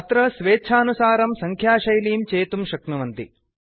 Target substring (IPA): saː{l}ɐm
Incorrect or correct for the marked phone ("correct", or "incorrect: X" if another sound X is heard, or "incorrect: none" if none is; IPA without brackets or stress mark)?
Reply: incorrect: ɾ